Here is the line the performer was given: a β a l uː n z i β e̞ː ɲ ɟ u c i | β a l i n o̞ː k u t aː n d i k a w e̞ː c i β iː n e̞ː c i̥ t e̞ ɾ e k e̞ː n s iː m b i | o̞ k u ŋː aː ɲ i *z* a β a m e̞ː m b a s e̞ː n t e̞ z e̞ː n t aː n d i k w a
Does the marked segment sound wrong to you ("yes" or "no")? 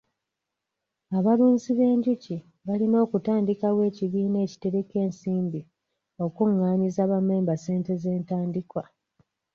no